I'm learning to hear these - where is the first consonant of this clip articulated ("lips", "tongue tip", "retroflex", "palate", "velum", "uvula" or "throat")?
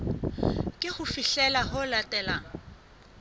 velum